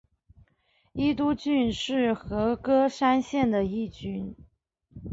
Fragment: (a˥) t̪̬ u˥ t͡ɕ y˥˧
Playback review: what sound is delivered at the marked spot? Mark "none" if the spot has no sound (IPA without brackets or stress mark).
i˥